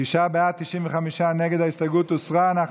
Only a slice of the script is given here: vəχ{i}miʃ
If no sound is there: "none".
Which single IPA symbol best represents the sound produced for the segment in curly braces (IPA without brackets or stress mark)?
a